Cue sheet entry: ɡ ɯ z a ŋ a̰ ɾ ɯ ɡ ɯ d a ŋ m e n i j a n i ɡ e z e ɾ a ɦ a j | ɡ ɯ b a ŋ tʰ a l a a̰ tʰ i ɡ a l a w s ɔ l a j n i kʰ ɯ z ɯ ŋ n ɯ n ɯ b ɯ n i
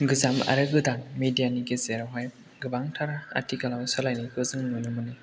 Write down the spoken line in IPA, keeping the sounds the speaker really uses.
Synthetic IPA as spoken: ɡ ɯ z a m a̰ ɾ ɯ ɡ ɯ d a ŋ m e d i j a n i ɡ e z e ɾ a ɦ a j | ɡ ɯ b a ŋ tʰ a ɾ a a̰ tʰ i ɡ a l a w s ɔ l a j n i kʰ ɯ z ɯ ŋ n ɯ n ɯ m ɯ n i